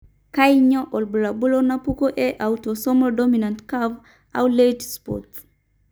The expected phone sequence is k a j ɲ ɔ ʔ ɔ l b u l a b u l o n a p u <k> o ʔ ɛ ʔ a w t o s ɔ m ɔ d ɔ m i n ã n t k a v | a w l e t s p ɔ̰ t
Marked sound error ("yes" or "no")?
no